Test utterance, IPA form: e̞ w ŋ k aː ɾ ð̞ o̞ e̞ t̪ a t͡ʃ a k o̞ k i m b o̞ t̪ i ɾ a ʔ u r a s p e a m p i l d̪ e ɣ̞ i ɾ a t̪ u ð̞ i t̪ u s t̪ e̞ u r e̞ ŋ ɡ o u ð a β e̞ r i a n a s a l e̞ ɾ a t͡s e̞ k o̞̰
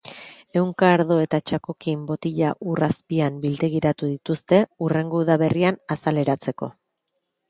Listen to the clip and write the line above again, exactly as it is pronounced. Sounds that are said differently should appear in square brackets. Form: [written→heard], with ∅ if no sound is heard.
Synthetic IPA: e̞ w ŋ k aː ɾ ð̞ o̞ e̞ t̪ a t͡ʃ a k o̞ k i m b o̞ t̪ i [ɾ→ʎ] a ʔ u r a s p [e→i] a m [p→b] i l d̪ e ɣ̞ i ɾ a t̪ u ð̞ i t̪ u s t̪ e̞ u r e̞ ŋ ɡ o u ð a β e̞ r i a n a s a l e̞ ɾ a t͡s e̞ k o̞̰